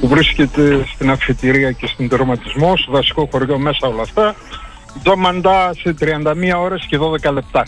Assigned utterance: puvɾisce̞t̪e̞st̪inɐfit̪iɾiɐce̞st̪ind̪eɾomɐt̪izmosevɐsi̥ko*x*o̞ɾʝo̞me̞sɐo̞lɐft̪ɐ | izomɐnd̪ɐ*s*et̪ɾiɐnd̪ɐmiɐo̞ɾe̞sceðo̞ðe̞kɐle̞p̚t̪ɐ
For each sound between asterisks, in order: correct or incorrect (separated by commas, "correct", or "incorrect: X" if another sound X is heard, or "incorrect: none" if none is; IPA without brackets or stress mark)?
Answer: correct, correct